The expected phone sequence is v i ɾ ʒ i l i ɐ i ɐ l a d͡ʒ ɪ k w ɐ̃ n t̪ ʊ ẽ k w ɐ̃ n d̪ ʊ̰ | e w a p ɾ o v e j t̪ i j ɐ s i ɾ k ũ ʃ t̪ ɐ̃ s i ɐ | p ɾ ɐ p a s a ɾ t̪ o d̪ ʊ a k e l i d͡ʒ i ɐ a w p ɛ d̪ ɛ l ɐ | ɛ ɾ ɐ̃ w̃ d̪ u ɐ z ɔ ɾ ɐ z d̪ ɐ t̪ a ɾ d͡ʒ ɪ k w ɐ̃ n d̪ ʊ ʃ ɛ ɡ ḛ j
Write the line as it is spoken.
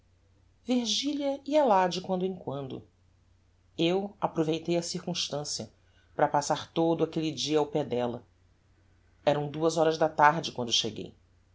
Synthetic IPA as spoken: v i ɾ ʒ i l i ɐ i ɐ l a d͡ʒ ɪ k w ɐ̃ n d̪ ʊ ẽ k w ɐ̃ n d̪ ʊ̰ | e w a p ɾ o v e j t̪ e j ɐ s i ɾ k ũ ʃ t̪ ɐ̃ s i ɐ | p ɾ ɐ p a s a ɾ t̪ o d̪ ʊ a k e l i d͡ʒ i ɐ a w p ɛ d̪ ɛ l ɐ | ɛ ɾ ɐ̃ w̃ d̪ u ɐ z ɔ ɾ ɐ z d̪ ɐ t̪ a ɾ d͡ʒ ɪ k w ɐ̃ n d̪ ʊ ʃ e ɡ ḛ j